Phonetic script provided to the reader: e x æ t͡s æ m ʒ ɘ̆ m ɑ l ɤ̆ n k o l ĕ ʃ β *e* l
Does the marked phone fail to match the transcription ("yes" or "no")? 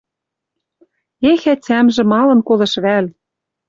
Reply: yes